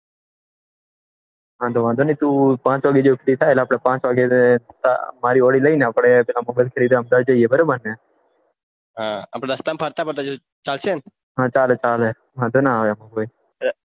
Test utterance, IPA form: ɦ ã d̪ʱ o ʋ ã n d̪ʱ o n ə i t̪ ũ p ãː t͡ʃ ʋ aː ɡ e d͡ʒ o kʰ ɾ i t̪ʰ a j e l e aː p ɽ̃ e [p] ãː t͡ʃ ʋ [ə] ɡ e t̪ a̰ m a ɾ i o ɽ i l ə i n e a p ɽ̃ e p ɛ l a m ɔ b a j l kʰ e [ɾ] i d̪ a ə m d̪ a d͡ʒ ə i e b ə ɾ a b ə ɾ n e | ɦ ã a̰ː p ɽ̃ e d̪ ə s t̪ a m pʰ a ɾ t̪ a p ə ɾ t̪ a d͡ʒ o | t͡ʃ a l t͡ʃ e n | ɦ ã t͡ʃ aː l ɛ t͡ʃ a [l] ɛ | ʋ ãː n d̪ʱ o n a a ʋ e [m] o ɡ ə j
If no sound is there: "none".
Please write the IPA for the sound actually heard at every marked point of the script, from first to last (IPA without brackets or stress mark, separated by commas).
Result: p, a, ɾ, l, m